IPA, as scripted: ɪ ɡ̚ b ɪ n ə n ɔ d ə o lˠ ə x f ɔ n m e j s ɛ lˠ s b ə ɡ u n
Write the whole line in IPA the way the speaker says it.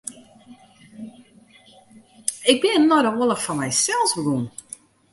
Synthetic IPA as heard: ɪ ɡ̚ b ɪ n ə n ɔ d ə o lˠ ə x f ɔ n m ɛ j s ɛ lˠ s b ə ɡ u n